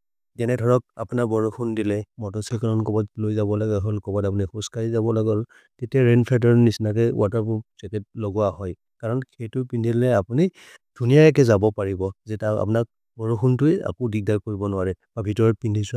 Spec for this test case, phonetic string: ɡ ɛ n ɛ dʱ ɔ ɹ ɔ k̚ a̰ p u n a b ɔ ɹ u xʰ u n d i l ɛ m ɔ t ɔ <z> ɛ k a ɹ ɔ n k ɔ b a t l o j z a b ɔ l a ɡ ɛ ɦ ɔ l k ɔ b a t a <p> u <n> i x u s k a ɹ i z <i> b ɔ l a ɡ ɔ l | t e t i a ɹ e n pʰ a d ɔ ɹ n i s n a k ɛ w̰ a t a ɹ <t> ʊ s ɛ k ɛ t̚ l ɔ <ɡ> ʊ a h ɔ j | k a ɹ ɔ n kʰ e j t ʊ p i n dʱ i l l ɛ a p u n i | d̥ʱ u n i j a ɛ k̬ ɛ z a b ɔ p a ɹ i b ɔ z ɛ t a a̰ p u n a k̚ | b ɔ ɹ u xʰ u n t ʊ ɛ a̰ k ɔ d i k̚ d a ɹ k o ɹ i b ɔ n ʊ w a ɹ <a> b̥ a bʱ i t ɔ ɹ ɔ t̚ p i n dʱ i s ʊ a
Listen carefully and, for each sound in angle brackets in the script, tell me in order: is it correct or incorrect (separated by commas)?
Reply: incorrect, correct, correct, incorrect, incorrect, correct, incorrect